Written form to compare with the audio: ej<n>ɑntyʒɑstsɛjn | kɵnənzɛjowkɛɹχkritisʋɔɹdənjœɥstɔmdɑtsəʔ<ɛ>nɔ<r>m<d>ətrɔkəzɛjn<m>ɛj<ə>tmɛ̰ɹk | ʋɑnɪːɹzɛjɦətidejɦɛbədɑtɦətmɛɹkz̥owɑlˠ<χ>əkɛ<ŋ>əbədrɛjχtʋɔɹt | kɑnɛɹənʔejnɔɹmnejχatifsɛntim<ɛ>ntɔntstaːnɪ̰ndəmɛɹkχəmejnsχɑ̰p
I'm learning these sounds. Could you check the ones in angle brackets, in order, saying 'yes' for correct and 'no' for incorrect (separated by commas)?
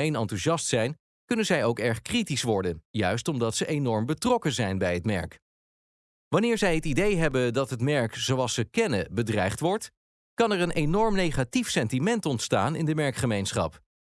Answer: yes, no, no, no, no, yes, no, no, yes